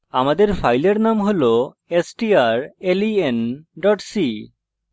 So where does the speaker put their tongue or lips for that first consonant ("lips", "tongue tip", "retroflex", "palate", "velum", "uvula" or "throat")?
lips